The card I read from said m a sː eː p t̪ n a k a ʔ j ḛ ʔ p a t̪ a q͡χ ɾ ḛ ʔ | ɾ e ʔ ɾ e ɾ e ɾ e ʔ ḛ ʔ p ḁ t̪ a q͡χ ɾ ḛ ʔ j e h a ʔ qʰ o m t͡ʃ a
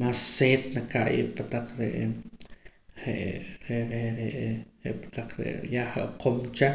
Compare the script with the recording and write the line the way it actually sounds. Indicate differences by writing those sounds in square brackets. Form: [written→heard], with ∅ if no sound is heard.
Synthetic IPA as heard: m a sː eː [p→∅] t̪ n a k a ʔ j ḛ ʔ p a t̪ a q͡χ ɾ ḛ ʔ | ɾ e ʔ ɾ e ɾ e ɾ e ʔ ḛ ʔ p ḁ t̪ a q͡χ ɾ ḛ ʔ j [e→a] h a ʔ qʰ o m t͡ʃ a